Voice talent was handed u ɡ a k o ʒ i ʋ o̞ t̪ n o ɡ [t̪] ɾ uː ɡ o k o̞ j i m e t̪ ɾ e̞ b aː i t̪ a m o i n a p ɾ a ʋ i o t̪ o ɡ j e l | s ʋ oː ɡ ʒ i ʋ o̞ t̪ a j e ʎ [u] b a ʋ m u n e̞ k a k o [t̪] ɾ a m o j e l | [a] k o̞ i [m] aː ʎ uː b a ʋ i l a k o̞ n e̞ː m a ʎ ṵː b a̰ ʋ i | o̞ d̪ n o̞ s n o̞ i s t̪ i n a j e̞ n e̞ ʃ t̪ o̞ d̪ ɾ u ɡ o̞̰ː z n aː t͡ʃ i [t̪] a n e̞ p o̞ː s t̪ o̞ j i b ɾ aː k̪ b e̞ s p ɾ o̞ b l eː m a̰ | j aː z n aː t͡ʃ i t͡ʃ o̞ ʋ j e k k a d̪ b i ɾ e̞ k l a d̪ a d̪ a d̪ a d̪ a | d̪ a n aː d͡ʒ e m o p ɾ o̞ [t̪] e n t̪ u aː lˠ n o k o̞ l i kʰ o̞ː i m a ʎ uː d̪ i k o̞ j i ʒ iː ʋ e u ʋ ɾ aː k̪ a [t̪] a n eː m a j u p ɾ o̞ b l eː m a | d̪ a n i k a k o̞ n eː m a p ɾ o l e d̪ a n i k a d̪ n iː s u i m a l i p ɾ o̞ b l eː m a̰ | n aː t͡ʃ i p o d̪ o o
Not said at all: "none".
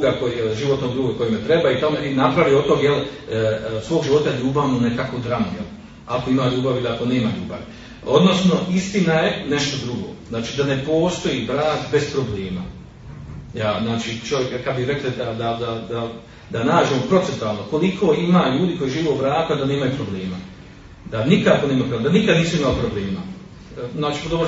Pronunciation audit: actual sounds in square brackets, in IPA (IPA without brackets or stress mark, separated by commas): d̪, uː, d̪, a, m, d̪, t̪, d̪